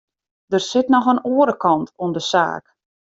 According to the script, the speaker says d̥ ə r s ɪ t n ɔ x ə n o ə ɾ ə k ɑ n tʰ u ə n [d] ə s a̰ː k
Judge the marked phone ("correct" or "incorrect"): correct